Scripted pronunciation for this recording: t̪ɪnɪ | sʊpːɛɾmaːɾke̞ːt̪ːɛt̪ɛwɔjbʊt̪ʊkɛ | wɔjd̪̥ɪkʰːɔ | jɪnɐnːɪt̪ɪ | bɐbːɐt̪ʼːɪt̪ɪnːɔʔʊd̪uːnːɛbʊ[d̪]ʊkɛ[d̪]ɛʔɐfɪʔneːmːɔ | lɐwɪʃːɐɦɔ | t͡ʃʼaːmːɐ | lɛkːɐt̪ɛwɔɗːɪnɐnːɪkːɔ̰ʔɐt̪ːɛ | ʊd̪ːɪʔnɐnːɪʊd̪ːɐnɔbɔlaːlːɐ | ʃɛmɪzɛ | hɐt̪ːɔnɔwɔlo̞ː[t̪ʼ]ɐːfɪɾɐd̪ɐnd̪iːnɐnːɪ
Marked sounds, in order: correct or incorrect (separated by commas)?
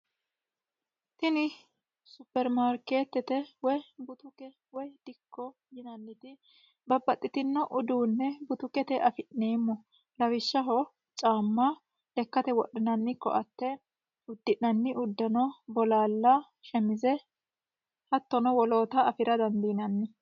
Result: incorrect, incorrect, incorrect